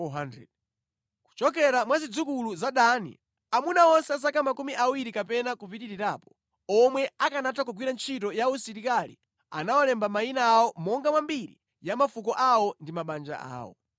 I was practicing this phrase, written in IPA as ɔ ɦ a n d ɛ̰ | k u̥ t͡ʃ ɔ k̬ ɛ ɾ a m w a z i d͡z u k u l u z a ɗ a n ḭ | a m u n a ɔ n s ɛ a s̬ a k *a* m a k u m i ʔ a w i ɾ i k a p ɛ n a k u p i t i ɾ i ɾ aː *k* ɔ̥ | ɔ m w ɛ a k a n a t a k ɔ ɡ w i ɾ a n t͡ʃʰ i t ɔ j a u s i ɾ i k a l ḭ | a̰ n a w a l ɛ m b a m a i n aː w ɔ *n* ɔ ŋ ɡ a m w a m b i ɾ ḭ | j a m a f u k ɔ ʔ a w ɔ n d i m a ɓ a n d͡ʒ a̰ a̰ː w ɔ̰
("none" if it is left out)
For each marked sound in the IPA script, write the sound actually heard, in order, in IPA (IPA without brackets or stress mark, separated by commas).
a, p, m